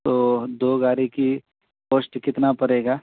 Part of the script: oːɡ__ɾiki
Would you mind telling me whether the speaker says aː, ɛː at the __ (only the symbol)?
aː